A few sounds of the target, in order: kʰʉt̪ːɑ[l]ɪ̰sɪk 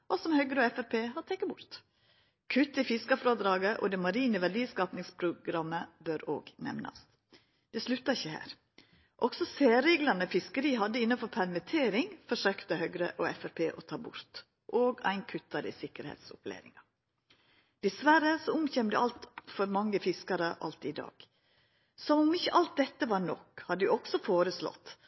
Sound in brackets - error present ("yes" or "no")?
yes